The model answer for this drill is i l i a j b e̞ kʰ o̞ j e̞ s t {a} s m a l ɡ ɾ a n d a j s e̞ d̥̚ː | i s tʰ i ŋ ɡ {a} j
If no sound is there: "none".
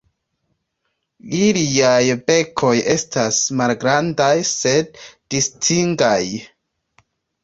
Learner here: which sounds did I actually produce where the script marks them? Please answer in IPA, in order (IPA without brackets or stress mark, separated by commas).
a, a